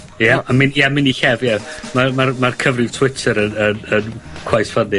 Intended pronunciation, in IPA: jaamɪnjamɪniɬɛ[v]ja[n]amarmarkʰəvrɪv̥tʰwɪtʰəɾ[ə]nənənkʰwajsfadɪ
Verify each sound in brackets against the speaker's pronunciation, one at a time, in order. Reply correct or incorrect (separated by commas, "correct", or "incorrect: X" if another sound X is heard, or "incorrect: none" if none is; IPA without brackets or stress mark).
correct, incorrect: m, correct